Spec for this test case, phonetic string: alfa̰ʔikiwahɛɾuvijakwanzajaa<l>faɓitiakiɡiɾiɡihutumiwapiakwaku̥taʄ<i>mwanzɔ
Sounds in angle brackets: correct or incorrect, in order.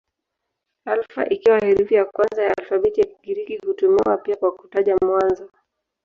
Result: correct, incorrect

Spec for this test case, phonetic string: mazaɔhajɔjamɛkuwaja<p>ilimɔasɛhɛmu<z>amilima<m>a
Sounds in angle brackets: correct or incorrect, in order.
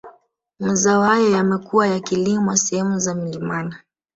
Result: incorrect, correct, incorrect

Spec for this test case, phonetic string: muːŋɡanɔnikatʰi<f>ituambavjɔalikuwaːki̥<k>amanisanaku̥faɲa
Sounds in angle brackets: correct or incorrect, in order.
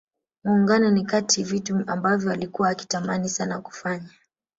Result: incorrect, incorrect

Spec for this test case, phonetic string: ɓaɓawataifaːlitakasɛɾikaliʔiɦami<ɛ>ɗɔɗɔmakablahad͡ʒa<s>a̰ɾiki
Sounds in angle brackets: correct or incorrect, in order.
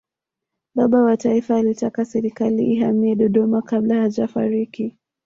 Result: correct, incorrect

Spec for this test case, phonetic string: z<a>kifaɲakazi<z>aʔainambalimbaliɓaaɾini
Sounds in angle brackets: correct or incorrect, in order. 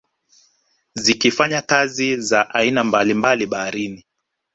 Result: incorrect, correct

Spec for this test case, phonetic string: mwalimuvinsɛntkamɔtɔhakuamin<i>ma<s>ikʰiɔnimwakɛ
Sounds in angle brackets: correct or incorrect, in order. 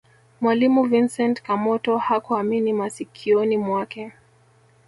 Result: correct, correct

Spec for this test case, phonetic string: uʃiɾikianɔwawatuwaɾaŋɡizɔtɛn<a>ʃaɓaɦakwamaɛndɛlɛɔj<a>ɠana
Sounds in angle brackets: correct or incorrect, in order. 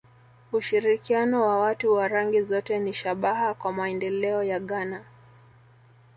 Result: incorrect, correct

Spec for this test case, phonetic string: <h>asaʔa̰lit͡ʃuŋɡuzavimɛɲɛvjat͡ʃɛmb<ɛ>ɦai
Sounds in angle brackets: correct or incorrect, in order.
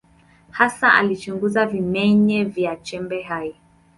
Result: correct, correct

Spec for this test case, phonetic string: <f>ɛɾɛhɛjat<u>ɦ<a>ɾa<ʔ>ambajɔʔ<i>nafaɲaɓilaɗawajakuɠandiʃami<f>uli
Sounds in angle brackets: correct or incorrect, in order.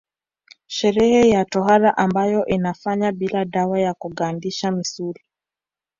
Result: incorrect, incorrect, correct, correct, correct, incorrect

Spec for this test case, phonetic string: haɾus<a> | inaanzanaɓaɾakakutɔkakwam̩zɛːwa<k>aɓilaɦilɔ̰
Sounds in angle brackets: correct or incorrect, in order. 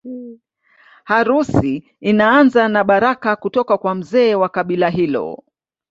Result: incorrect, correct

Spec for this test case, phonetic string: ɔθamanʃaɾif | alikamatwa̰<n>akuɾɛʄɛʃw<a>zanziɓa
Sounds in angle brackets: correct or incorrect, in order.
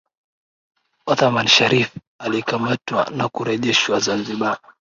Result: correct, correct

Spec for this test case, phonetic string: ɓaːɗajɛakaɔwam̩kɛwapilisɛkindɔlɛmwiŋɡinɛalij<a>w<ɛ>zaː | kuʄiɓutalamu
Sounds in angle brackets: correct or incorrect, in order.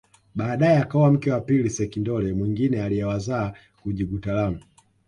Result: incorrect, incorrect

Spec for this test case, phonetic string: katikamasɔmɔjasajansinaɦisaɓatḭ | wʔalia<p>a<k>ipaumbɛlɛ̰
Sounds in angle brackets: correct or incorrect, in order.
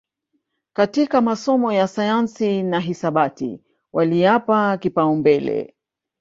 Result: correct, correct

